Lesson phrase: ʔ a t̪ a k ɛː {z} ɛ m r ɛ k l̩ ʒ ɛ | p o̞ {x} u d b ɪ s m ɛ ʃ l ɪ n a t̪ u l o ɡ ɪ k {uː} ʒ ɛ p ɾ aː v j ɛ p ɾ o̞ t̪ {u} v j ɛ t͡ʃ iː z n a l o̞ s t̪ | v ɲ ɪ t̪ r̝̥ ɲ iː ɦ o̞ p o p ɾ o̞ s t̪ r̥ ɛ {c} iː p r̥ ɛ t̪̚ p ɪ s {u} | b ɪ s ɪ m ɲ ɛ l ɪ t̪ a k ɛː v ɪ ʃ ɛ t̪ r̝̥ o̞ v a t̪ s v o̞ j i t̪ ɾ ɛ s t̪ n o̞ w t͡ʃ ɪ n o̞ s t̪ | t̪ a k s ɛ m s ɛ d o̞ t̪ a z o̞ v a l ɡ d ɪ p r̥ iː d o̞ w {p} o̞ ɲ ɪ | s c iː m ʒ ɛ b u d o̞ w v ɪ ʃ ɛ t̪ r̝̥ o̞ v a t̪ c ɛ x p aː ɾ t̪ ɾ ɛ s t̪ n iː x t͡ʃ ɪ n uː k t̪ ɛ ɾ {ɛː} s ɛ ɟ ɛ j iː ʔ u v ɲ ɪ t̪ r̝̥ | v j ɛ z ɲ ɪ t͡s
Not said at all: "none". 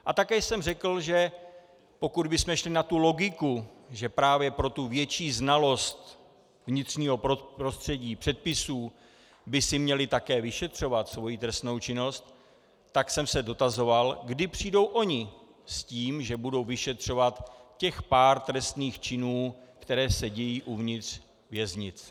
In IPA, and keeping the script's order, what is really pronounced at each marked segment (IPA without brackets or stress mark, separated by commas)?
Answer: s, k, u, u, ɟ, uː, ʔ, ɛː